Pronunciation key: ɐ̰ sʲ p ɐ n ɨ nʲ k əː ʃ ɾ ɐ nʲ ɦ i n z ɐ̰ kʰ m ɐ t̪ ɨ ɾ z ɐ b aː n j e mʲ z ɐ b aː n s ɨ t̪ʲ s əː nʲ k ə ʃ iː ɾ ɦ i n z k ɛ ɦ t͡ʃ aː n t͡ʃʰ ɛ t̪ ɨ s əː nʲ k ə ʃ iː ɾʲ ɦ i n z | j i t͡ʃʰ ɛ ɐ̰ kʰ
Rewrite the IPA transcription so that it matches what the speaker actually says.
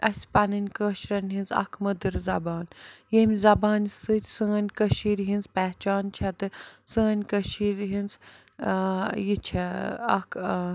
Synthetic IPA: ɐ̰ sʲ p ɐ n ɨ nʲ k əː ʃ ɾ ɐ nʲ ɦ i n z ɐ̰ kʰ m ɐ d̪ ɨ ɾ z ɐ b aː n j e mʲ z ɐ b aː n s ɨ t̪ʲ s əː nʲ k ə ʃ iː ɾ ɦ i n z p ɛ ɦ t͡ʃ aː n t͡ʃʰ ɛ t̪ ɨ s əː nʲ k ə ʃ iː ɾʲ ɦ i n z | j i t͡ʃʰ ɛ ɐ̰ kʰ

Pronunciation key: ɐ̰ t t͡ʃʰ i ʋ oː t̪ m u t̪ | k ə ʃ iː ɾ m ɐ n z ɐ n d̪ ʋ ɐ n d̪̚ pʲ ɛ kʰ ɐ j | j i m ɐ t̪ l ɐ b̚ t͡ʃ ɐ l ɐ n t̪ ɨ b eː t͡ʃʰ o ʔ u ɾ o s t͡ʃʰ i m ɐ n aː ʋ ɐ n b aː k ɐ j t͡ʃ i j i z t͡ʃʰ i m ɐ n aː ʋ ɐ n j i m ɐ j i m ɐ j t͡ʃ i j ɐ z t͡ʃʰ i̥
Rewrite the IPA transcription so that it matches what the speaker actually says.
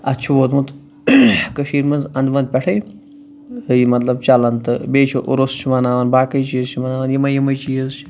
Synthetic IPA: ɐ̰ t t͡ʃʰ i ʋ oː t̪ m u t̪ | k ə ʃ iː ɾ m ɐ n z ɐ n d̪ ʋ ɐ n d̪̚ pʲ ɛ ʈʰ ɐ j | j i m ɐ t̪ l ɐ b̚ t͡ʃ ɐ l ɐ n t̪ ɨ b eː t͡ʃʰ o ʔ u ɾ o s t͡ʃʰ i m ɐ n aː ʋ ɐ n b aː k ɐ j t͡ʃ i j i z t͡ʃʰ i m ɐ n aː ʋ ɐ n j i m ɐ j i m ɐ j t͡ʃ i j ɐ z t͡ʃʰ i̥

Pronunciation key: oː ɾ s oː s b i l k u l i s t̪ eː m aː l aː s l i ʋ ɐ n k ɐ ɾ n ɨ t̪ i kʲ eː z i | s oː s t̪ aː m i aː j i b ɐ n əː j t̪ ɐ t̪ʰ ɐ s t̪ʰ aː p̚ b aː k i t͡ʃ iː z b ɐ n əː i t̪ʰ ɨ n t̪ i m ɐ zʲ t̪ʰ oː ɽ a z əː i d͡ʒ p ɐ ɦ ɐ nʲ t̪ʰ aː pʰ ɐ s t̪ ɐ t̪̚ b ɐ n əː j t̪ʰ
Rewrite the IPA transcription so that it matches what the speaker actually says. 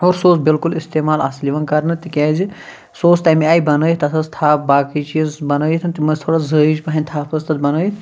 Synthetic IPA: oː ɾ s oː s b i l k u l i s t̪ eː m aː l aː s l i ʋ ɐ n k ɐ ɾ n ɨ t̪ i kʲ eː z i | s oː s t̪ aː m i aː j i b ɐ n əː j t̪ ɐ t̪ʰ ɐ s t̪ʰ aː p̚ b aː k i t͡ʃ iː z b ɐ n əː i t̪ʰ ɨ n t̪ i m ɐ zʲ t̪ʰ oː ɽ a z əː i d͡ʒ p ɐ ɦ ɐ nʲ t̪ʰ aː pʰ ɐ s t̪ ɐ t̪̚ b ɐ n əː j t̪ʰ

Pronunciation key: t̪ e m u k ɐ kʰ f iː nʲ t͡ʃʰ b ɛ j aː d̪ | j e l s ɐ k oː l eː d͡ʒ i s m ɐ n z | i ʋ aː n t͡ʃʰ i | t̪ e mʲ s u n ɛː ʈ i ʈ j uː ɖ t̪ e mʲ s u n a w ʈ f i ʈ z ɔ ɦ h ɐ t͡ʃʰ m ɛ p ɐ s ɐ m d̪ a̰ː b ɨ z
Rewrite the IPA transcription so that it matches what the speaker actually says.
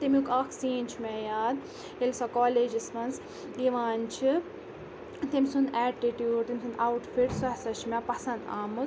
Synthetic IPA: t̪ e m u k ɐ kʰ s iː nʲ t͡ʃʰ m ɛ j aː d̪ | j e l s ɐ k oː l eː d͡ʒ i s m ɐ n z | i ʋ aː n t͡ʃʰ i | t̪ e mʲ s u n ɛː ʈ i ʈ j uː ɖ t̪ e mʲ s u n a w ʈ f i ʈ s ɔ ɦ s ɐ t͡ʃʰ m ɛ p ɐ s ɐ n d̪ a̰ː m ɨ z

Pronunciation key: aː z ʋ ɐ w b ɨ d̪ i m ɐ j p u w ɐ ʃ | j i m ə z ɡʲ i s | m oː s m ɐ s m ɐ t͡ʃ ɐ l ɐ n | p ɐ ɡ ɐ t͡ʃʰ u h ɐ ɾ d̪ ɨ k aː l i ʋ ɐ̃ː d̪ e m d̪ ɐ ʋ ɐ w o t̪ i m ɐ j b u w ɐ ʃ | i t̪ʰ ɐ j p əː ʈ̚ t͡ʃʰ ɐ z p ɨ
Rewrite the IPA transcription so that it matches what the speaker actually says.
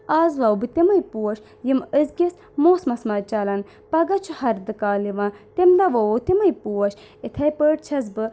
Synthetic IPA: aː z ʋ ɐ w b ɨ t̪ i m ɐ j p u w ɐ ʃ | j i m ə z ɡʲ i s | m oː s m ɐ s m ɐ t͡ʃ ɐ l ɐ n | p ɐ ɡ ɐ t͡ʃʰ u h ɐ ɾ d̪ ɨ k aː l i ʋ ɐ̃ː t̪ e m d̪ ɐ ʋ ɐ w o t̪ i m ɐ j p u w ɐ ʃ | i t̪ʰ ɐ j p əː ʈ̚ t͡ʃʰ ɐ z b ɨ

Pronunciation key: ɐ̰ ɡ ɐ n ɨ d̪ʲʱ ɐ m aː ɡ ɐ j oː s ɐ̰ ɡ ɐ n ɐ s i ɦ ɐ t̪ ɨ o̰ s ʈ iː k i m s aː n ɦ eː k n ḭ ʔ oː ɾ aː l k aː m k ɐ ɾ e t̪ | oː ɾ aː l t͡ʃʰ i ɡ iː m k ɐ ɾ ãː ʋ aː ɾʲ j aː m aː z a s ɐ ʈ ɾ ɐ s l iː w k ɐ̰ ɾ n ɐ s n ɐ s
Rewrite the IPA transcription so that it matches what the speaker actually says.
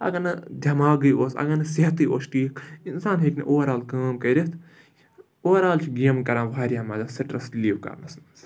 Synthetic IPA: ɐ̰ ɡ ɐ n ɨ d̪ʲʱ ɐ m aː ɡ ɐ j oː s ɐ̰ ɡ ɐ n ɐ s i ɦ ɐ t̪ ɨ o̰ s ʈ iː k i n s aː n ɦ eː k n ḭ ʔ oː ɾ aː l k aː m k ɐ ɾ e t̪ | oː ɾ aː l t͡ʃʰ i ɡ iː m k ɐ ɾ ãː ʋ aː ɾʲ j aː m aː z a s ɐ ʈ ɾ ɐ s l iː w k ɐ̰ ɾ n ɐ s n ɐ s

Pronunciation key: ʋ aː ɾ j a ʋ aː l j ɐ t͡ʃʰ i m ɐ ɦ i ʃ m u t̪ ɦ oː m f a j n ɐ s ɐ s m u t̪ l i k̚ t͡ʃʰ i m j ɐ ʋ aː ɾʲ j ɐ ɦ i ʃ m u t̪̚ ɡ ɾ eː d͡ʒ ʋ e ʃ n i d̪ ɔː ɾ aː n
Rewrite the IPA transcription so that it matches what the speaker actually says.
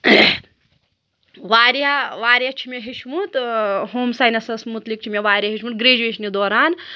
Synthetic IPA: ʋ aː ɾ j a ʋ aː ɾ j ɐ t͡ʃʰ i m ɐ ɦ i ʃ m u t̪ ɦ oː m s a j n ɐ s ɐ s m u t̪ l i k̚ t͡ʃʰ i m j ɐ ʋ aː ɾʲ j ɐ ɦ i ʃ m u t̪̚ ɡ ɾ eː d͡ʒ ʋ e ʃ n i d̪ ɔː ɾ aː n

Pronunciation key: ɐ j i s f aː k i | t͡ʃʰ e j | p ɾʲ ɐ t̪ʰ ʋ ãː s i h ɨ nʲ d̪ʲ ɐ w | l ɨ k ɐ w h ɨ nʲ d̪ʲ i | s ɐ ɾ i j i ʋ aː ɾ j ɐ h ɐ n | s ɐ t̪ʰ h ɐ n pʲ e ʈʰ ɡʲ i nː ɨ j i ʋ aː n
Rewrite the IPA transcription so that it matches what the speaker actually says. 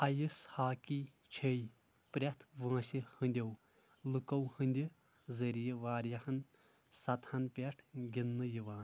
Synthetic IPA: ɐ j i s h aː k i | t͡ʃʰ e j | p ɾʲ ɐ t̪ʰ ʋ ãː s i h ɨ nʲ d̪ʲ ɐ w | l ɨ k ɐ w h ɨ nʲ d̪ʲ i | z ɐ ɾ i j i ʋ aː ɾ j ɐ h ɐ n | s ɐ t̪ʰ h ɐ n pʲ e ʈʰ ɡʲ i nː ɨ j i ʋ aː n

